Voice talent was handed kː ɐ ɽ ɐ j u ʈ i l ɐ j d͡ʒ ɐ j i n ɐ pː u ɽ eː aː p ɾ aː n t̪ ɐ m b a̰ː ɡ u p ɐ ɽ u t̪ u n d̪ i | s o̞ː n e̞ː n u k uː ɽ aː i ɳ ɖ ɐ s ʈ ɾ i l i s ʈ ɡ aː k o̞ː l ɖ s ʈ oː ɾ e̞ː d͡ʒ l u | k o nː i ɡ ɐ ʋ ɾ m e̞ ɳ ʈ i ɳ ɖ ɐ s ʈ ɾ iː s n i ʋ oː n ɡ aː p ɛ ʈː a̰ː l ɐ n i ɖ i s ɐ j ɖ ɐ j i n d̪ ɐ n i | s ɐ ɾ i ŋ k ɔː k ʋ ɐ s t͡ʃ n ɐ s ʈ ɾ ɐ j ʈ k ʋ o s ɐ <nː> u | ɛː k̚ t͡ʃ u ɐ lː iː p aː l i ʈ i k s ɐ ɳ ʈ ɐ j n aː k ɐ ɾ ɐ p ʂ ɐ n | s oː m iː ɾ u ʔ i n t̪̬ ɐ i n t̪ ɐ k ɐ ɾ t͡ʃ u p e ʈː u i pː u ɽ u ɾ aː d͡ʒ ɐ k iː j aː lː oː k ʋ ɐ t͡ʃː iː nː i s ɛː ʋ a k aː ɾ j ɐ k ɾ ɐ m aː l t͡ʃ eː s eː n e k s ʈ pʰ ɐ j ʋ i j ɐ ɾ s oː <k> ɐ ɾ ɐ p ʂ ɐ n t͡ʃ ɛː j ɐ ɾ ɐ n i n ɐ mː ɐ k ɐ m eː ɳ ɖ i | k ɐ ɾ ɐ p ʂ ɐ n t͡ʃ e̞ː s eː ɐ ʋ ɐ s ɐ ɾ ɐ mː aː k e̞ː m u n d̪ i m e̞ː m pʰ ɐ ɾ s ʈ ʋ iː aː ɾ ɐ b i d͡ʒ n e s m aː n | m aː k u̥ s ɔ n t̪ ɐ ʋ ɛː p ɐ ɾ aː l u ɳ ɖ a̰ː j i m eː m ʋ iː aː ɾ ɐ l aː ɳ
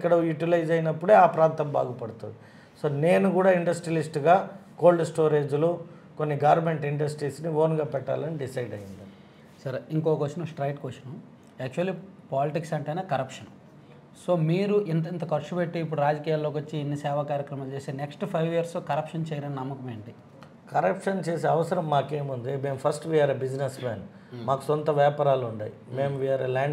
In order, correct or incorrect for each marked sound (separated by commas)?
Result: incorrect, correct